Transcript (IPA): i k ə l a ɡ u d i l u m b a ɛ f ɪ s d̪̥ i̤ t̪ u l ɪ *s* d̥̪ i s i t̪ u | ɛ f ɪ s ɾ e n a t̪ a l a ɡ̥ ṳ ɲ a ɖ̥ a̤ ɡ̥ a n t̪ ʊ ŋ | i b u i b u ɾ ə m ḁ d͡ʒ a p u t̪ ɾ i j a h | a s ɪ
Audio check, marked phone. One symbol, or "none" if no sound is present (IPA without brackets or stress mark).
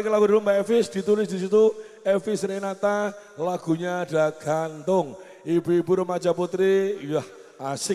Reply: s